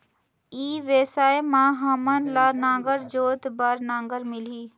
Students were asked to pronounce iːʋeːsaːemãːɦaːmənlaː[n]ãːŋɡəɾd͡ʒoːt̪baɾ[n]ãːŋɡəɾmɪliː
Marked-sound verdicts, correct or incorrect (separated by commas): correct, correct